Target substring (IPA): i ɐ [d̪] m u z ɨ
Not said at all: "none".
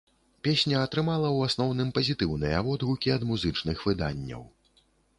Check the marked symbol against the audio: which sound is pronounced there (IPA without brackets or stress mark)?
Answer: d̪